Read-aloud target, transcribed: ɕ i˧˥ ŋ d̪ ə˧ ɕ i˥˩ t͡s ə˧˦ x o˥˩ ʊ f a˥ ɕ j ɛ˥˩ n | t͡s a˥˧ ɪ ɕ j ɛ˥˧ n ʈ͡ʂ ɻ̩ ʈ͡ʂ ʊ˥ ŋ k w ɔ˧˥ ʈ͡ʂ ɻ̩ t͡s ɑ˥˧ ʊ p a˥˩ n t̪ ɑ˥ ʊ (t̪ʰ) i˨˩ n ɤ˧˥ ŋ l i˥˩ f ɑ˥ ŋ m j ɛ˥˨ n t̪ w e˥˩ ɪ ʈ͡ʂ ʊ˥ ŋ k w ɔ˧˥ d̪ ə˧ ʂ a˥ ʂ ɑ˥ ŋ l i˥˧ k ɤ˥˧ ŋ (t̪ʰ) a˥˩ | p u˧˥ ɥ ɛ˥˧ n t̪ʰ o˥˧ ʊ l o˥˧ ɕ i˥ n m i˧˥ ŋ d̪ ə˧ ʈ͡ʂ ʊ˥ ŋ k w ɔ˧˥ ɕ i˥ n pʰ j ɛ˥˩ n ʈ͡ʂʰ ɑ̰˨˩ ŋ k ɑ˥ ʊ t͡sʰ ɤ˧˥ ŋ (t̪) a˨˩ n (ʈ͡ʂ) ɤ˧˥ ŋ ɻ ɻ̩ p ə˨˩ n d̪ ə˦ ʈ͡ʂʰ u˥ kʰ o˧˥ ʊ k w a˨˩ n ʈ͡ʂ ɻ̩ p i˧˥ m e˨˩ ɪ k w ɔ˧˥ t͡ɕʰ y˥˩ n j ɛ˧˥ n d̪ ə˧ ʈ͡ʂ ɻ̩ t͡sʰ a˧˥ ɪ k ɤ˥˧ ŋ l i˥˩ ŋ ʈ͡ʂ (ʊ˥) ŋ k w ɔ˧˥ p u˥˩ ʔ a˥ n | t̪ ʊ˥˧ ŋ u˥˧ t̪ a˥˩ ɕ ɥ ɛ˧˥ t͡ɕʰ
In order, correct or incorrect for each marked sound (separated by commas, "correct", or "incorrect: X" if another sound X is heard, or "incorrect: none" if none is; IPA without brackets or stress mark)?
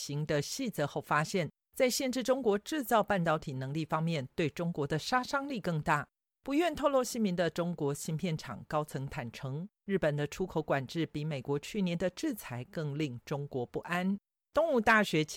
correct, incorrect: t̪, incorrect: t̪ʰ, incorrect: ʈ͡ʂʰ, correct